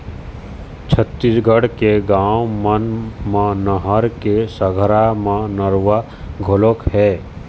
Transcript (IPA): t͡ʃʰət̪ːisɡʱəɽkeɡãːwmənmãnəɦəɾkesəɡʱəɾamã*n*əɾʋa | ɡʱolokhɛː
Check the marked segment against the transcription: correct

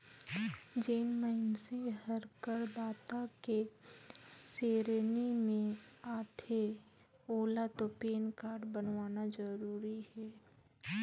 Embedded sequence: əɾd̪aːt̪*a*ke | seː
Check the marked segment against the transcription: correct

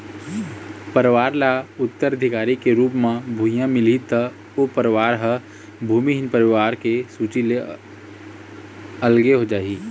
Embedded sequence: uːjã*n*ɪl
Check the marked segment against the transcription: incorrect: m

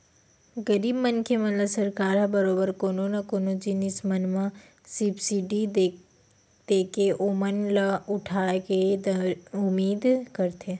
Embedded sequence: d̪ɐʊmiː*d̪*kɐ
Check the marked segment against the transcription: correct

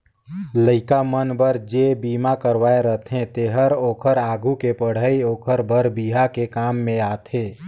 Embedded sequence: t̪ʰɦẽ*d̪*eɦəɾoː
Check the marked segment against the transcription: incorrect: t̪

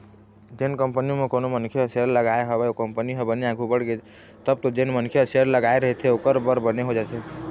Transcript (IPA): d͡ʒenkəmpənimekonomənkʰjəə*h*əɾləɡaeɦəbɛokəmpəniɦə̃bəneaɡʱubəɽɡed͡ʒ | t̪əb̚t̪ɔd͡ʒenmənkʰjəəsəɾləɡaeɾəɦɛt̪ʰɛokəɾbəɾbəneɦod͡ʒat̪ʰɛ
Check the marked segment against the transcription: incorrect: s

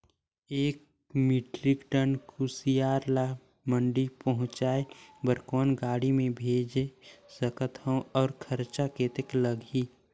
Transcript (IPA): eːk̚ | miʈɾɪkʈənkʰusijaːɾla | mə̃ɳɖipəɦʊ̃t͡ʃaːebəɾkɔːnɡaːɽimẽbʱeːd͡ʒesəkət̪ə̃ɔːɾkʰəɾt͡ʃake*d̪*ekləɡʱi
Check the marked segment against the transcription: incorrect: t̪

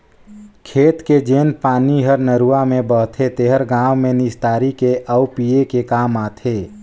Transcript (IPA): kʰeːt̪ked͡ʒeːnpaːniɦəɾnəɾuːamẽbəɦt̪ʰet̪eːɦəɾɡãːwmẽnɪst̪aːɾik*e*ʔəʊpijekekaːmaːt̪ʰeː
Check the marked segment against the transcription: correct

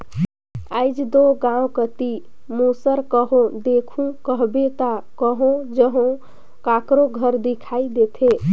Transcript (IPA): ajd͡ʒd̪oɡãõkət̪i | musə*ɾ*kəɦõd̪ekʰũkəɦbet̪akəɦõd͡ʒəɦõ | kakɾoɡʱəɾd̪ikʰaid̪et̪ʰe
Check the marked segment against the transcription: correct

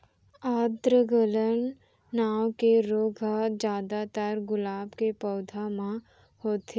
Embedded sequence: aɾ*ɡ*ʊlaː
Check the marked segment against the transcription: correct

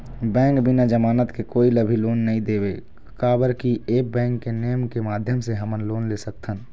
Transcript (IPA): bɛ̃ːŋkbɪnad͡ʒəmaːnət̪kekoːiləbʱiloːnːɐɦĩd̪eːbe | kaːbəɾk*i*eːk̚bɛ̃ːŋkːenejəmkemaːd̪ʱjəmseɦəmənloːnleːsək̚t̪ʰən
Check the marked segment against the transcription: correct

